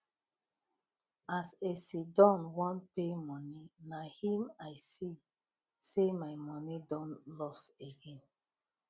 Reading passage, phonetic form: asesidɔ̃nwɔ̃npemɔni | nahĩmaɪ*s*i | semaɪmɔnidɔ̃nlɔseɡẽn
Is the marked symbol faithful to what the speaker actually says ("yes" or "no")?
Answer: yes